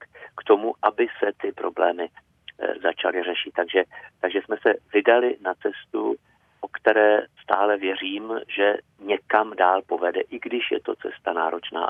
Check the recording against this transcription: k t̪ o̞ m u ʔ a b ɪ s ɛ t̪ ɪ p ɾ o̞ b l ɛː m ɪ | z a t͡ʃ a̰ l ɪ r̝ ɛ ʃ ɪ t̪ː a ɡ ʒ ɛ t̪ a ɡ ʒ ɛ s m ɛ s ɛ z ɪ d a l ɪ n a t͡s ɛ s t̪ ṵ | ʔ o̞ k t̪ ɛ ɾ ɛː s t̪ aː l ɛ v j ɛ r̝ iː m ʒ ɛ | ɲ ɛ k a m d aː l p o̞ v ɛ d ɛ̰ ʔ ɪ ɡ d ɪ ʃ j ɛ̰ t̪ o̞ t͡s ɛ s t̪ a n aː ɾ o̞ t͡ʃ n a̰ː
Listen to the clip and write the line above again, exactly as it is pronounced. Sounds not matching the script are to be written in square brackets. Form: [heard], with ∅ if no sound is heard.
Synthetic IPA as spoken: k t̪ o̞ m u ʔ a b ɪ s ɛ t̪ ɪ p ɾ o̞ b l ɛː m ɪ | z a t͡ʃ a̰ l ɪ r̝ ɛ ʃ ɪ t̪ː a ɡ ʒ ɛ t̪ a ɡ ʒ ɛ s m ɛ s ɛ [v] ɪ d a l ɪ n a t͡s ɛ s t̪ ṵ | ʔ o̞ k t̪ ɛ ɾ ɛː s t̪ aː l ɛ v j ɛ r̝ iː m ʒ ɛ | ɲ ɛ k a m d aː l p o̞ v ɛ d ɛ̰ ʔ ɪ ɡ d ɪ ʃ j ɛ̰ t̪ o̞ t͡s ɛ s t̪ a n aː ɾ o̞ t͡ʃ n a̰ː